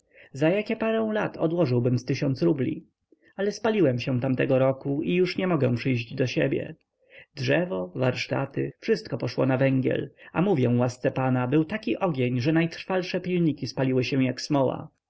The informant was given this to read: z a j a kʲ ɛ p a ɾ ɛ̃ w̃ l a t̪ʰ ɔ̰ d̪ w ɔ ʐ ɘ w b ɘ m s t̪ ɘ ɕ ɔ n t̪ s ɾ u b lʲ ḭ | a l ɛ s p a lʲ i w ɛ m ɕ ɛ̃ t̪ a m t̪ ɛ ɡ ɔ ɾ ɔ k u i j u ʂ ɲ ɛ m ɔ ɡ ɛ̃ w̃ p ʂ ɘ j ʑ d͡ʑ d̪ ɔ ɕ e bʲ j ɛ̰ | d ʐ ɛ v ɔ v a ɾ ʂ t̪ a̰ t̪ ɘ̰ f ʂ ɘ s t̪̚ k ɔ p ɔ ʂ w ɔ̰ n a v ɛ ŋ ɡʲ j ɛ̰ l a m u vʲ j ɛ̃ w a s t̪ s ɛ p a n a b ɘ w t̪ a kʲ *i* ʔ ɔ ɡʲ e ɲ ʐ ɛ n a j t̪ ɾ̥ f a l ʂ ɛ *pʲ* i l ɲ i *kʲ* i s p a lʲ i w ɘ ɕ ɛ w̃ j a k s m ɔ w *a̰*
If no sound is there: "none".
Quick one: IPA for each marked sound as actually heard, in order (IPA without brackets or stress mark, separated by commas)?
i, pʲ, kʲ, a̰